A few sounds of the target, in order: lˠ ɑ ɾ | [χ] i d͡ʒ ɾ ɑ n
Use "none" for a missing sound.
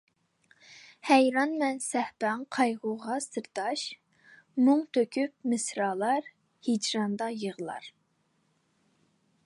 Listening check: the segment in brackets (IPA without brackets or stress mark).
h